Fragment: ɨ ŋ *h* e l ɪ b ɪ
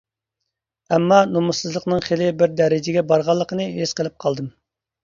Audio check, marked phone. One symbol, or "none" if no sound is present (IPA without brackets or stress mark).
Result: χ